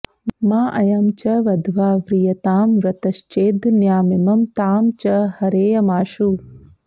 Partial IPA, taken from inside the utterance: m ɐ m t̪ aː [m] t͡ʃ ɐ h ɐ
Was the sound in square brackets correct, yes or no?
yes